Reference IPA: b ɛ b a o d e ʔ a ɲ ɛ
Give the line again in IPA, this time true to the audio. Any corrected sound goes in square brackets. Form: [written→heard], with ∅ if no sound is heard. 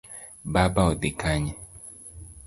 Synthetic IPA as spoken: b [ɛ→a] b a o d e [ʔ→k] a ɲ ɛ